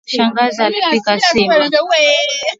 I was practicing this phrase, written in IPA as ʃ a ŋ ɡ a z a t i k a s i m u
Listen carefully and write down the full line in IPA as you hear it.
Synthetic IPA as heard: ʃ a ŋ ɡ a z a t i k a s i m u